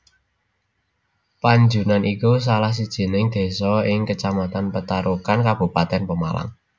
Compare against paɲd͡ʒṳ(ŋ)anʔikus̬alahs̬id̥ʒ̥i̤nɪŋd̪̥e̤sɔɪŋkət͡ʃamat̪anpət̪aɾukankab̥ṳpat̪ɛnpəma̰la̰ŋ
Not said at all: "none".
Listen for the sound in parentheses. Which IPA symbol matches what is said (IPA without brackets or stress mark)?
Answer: n